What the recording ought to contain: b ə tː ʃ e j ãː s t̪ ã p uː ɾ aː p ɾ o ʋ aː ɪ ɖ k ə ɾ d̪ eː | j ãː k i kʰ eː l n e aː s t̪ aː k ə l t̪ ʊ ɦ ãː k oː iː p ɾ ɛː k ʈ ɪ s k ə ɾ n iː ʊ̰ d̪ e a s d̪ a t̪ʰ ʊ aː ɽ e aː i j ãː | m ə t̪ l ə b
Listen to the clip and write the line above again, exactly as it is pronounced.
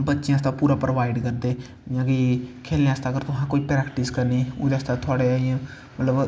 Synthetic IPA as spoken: b ə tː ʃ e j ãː s t̪ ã p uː ɾ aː p ɾ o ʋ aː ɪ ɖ k ə ɾ d̪ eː | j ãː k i kʰ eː l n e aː s t̪ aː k ə ɾ t̪ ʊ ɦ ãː k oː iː p ɾ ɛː k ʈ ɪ s k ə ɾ n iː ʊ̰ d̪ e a s t̪ a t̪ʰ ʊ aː ɽ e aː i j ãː | m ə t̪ l ə b